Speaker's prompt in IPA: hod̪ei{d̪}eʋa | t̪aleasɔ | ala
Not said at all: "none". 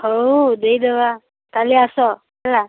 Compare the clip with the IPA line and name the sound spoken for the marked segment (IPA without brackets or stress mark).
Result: d̪